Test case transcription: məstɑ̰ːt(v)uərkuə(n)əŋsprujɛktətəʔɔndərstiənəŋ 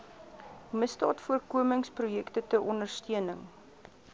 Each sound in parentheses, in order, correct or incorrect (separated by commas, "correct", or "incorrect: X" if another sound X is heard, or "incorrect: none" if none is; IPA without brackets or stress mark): incorrect: f, incorrect: m